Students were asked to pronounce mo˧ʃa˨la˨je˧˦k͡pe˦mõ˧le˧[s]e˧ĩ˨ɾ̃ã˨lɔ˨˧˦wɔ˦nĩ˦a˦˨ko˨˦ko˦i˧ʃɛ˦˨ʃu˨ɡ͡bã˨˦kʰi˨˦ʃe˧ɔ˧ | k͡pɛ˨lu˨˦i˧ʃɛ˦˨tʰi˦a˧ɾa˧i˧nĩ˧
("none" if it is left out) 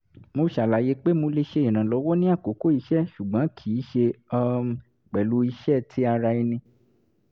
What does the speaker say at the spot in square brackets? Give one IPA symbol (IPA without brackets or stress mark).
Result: ʃ